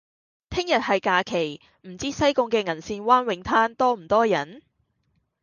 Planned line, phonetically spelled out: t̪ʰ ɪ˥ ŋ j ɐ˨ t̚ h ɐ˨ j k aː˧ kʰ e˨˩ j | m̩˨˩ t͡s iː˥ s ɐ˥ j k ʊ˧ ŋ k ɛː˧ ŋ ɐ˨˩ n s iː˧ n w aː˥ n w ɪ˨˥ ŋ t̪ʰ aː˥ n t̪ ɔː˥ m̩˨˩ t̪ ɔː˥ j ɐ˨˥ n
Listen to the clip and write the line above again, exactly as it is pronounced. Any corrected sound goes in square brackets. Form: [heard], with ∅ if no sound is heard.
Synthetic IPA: t̪ʰ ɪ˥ ŋ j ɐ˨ t̚ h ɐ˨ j k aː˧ kʰ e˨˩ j | m̩˨˩ t͡s iː˥ s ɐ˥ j k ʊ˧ ŋ k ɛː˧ ŋ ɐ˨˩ n s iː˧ n w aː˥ n w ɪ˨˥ ŋ t̪ʰ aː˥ n t̪ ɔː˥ m̩˨˩ t̪ ɔː˥ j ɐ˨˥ n